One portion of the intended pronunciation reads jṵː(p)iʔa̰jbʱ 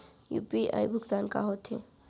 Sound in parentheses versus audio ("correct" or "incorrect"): correct